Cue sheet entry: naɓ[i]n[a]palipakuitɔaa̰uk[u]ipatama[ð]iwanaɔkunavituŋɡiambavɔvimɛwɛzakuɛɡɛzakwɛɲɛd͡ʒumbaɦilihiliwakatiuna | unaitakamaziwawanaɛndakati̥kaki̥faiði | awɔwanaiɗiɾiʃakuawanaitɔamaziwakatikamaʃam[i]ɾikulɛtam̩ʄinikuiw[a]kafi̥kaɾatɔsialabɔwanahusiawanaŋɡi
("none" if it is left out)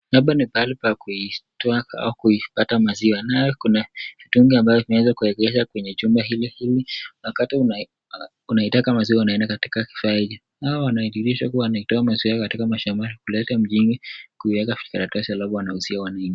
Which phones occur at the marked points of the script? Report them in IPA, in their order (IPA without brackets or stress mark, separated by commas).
a, i, u, z, a, ɛ